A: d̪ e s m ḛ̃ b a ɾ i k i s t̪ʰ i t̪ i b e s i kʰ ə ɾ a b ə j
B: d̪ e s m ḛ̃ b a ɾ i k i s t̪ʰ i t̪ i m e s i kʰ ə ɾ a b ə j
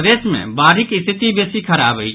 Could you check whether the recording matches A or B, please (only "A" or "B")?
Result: A